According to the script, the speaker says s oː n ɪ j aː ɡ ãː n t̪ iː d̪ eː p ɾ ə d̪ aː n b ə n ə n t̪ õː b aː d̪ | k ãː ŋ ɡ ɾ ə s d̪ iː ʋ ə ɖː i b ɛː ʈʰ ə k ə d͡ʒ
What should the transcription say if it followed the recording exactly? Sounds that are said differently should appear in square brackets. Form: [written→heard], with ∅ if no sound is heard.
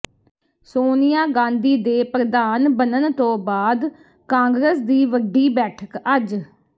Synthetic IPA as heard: s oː n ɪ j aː ɡ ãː n [t̪→d̪] iː d̪ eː p ɾ ə d̪ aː n b ə n ə n t̪ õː b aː d̪ | k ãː ŋ ɡ ɾ ə s d̪ iː ʋ ə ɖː [i→iː] b ɛː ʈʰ ə k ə d͡ʒ